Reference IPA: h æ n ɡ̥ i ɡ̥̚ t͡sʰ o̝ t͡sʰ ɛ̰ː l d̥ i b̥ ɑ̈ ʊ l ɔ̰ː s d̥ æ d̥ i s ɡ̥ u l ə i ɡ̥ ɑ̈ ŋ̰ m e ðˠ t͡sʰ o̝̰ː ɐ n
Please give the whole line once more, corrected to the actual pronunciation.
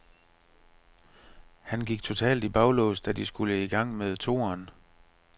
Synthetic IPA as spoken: h æ n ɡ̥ i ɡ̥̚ t͡sʰ o̝ t͡sʰ ɛ̰ː l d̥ i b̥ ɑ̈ ʊ l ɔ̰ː s d̥ æ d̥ i s ɡ̥ u l ə i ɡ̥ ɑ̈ ŋ̰ m e ðˠ t͡sʰ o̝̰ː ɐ n